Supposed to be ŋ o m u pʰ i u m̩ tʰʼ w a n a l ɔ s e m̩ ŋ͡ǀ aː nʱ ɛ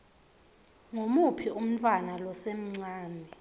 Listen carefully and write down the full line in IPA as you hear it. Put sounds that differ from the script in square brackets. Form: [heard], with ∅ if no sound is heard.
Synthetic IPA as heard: ŋ o m u pʰ i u m̩ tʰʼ w a n a l ɔ s e m̩ ŋ͡ǀ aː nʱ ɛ